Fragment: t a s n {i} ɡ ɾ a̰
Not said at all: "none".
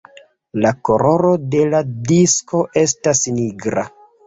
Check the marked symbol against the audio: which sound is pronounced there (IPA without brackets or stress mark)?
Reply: i